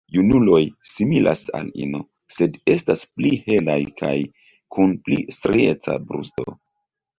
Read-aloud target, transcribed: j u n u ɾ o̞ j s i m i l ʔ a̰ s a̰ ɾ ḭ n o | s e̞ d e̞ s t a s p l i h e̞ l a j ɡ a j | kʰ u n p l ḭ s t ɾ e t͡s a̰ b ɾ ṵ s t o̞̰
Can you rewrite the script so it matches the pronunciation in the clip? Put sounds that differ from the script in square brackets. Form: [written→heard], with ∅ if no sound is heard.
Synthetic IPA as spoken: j u n u [ɾ→l] o̞ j s i m i l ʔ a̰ s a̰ [ɾ→l] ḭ n o | s e̞ d e̞ s t a s p l i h e̞ l a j [ɡ→k] a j | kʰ u n p l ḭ s t ɾ e t͡s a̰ b ɾ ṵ s t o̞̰